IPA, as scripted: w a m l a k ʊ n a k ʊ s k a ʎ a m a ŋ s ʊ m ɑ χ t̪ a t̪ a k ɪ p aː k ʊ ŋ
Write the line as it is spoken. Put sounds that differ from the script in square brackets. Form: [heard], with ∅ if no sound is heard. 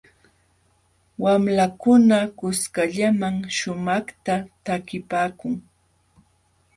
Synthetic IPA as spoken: w a m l a k ʊ n a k ʊ s k a ʎ a m a ŋ [ʃ] ʊ m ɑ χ t̪ a t̪ a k ɪ p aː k ʊ ŋ